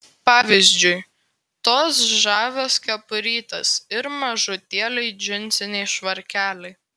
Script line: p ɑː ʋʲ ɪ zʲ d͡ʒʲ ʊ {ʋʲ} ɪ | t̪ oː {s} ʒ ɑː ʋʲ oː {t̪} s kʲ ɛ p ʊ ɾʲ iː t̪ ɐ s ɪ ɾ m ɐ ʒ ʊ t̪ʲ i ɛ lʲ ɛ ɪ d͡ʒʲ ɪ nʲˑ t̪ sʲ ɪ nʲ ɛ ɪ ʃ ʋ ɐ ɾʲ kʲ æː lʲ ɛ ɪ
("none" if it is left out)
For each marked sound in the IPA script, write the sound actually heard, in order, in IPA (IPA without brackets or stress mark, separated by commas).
none, s, none